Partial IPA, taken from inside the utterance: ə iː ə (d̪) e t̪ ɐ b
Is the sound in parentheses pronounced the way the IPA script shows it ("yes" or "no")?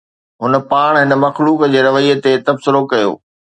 no